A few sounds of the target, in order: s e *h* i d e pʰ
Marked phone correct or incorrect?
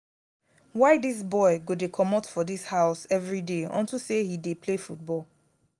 correct